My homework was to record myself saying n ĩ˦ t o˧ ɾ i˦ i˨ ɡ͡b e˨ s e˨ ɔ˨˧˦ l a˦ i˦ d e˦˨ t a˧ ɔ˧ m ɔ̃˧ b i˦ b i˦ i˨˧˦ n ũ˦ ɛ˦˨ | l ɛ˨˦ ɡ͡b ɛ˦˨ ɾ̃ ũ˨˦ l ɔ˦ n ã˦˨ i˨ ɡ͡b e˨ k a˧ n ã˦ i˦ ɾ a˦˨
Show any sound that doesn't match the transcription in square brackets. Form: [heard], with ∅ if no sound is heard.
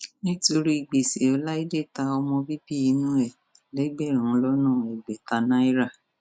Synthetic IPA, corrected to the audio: n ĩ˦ t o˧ ɾ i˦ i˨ ɡ͡b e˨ s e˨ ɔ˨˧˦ l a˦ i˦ d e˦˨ t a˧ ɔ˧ m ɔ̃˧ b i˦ b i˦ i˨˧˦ n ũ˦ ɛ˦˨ | l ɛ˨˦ ɡ͡b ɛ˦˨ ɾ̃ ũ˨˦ l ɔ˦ n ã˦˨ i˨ ɡ͡b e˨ [t] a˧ n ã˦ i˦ ɾ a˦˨